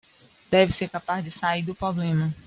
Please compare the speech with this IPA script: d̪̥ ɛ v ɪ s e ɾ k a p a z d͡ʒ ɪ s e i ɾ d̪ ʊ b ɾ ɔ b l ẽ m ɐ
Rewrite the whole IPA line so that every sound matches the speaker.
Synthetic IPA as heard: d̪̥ ɛ v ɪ s e ɾ k a p a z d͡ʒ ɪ s a i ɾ d̪ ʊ p ɾ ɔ b l ẽ m ɐ